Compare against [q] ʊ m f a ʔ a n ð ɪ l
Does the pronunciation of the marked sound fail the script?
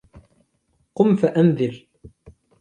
no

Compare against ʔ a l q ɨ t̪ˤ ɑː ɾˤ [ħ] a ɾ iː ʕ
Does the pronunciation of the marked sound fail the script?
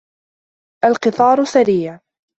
yes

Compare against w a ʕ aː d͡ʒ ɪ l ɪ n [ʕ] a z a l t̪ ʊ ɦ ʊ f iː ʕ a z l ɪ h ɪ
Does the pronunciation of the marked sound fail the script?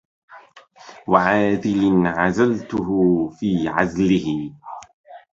no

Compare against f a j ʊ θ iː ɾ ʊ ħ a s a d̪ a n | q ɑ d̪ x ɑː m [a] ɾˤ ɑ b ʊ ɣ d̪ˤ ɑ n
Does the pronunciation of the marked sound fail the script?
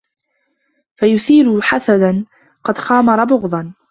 yes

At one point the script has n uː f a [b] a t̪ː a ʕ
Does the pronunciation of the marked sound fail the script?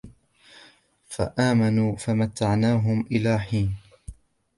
yes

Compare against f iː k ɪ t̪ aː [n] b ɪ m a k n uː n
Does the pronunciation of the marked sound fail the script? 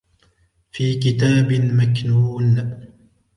yes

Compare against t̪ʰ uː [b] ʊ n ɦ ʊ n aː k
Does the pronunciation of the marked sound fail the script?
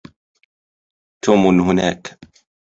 yes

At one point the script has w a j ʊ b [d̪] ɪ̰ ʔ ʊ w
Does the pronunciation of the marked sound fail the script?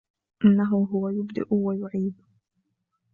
no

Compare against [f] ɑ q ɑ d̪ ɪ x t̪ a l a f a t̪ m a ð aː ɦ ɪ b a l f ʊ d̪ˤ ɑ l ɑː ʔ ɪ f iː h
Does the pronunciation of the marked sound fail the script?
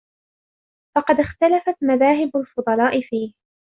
no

